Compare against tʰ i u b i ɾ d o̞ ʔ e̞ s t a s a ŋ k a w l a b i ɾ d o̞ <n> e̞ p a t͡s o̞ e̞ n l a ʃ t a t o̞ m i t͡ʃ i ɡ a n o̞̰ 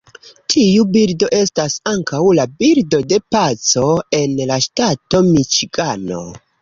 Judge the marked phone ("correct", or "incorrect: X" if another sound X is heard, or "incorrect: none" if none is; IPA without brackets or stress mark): incorrect: d